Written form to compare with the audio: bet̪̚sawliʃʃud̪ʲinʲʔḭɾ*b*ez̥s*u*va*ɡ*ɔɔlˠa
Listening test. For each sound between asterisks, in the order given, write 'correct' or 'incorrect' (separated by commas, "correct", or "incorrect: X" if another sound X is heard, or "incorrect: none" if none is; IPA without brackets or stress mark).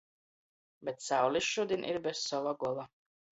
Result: correct, incorrect: ɔ, correct